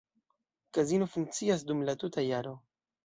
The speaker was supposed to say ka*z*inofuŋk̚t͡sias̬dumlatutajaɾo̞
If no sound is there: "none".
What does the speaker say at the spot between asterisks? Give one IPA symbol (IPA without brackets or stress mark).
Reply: z